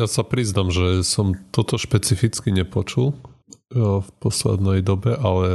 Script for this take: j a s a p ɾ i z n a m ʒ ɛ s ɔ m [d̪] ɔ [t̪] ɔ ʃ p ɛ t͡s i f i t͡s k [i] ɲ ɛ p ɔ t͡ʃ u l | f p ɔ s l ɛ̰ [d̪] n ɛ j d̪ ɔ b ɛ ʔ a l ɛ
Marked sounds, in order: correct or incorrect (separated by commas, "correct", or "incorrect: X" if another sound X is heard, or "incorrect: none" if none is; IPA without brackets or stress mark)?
incorrect: t̪, correct, correct, correct